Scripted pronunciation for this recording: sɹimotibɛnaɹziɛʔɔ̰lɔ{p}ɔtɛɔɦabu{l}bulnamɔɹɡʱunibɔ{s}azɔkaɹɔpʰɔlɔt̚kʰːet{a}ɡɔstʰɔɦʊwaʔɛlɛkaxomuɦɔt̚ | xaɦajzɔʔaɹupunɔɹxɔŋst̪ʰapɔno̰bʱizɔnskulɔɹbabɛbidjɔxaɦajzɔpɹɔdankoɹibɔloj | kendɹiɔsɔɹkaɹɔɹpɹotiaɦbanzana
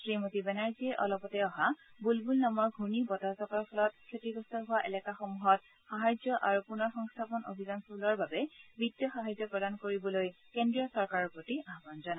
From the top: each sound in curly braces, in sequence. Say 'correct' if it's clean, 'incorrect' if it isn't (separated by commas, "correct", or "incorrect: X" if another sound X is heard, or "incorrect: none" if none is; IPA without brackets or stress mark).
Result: correct, correct, incorrect: t, incorrect: i